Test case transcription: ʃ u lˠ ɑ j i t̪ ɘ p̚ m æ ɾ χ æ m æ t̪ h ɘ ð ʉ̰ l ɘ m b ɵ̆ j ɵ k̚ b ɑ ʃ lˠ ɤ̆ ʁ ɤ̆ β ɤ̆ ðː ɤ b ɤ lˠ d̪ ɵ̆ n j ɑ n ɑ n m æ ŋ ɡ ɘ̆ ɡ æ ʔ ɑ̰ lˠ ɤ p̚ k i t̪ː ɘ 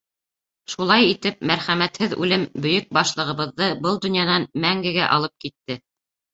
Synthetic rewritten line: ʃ u lˠ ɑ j i t̪ ɘ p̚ m æ ɾ χ æ m æ t̪ h ɘ ð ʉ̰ l ɘ m b ɵ̆ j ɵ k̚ b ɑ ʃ lˠ ɤ̆ ʁ ɤ̆ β ɤ̆ ðː ɤ b ɤ lˠ d̪ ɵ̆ n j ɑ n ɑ n m æ ŋ ɡ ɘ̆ ɡ æ ʔ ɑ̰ lˠ ɤ p̚ k i t̪ː ɘ

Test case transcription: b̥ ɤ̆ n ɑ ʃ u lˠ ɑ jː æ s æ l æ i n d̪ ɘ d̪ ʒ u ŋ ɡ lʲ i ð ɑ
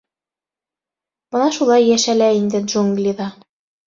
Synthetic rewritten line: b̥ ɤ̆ n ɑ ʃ u lˠ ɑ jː æ ʃ æ l æ i n d̪ ɘ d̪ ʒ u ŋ ɡ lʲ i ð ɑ

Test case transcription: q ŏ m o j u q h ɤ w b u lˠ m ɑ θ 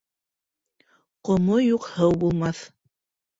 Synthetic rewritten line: q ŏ m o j u q h ɤ w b u lˠ m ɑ θ

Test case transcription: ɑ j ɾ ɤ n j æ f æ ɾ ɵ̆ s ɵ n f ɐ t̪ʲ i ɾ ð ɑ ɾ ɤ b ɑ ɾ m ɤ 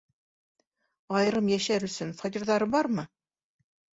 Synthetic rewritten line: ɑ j ɾ ɤ m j æ ʃ æ ɾ ɵ̆ s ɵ n f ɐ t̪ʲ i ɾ ð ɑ ɾ ɤ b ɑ ɾ m ɤ

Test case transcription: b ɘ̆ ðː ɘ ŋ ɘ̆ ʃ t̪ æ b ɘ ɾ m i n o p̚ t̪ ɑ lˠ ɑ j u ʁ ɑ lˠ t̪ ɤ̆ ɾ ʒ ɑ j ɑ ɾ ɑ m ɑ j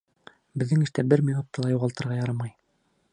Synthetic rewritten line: b ɘ̆ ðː ɘ ŋ ɘ̆ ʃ t̪ æ b ɘ ɾ m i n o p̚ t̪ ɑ lˠ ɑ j u ʁ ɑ lˠ t̪ ɤ̆ ɾ ʁ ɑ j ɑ ɾ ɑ m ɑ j

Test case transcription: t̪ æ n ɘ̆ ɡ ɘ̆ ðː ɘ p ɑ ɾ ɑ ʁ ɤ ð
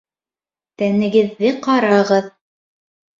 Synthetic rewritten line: t̪ æ n ɘ̆ ɡ ɘ̆ ðː ɘ q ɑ ɾ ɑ ʁ ɤ ð

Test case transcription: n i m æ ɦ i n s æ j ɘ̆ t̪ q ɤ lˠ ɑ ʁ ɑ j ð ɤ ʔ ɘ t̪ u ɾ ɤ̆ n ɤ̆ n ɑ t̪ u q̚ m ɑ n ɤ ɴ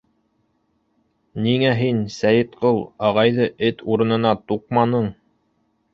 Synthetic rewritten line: n i ŋ æ ɦ i n s æ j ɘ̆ t̪ q ɤ lˠ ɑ ʁ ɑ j ð ɤ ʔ ɘ t̪ u ɾ ɤ̆ n ɤ̆ n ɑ t̪ u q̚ m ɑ n ɤ ɴ

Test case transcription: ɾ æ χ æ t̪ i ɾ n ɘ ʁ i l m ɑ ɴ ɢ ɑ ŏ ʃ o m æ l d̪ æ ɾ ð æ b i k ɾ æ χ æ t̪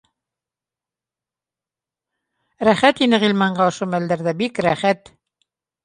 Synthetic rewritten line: ɾ æ χ æ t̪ i n ɘ ʁ i l m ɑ ɴ ɢ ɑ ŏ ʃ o m æ l d̪ æ ɾ ð æ b i k ɾ æ χ æ t̪

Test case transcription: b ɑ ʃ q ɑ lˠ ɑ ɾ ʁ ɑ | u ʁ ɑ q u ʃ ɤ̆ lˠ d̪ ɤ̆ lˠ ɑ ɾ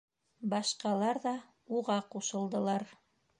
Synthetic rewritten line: b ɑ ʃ q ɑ lˠ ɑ ɾ ð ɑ | u ʁ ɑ q u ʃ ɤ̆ lˠ d̪ ɤ̆ lˠ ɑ ɾ

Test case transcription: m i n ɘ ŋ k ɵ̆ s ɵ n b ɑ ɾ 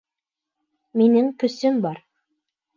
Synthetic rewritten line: m i n ɘ ŋ k ɵ̆ s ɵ m b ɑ ɾ

